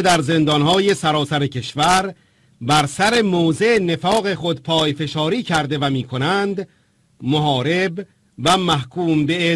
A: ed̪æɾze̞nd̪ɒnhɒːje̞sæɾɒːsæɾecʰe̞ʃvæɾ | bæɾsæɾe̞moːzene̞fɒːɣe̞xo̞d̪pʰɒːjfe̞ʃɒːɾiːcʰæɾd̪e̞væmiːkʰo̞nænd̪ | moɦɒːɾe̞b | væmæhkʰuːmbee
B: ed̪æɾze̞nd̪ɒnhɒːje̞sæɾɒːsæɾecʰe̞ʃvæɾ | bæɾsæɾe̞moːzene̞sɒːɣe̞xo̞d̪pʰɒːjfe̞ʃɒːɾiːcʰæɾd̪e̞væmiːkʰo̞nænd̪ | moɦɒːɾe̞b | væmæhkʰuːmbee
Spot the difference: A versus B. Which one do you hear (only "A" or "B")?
A